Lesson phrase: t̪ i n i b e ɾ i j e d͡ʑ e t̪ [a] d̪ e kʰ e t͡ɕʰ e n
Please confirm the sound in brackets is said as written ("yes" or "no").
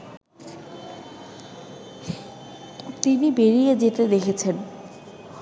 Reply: no